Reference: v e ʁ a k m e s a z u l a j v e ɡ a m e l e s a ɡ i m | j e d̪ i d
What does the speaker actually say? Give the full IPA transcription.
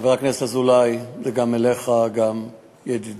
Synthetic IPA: v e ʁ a k n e s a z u l a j z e ɡ a m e l e χ a ɡ a m | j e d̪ i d